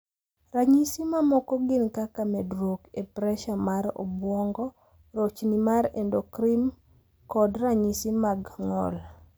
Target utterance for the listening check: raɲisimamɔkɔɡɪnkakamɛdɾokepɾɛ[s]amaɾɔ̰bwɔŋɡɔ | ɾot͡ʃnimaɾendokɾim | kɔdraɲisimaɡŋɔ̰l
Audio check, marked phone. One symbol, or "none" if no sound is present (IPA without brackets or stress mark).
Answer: ʃ